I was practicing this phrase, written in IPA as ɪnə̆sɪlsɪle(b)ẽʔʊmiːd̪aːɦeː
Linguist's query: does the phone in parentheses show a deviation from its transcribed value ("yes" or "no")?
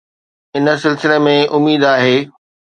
yes